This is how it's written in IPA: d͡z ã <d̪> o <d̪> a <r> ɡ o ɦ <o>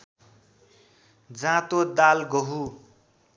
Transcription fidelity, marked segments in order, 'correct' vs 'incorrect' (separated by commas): incorrect, correct, incorrect, incorrect